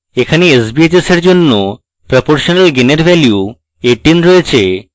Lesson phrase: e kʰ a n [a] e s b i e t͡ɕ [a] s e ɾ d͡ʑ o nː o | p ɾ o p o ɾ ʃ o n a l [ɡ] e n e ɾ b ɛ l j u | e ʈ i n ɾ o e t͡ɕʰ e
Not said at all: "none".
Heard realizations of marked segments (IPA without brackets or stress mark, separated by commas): e, e, ɡ